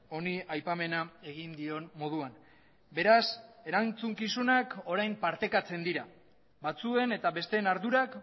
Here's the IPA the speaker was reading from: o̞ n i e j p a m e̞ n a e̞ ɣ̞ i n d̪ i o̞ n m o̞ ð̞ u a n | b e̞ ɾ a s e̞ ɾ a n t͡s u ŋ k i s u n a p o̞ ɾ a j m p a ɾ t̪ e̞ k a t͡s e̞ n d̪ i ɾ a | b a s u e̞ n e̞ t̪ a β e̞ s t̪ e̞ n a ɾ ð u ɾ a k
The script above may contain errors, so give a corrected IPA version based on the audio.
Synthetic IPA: o̞ n i a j p a m e̞ n a e̞ ɣ̞ i n d̪ i o̞ n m o̞ ð̞ u a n | b e̞ ɾ a s e̞ ɾ a n t͡s u ŋ k i s u n a k o̞ ɾ a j m p a ɾ t̪ e̞ k a t͡s e̞ n d̪ i ɾ a | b a t͡s u e̞ n e̞ t̪ a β e̞ s t̪ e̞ n a ɾ ð u ɾ a k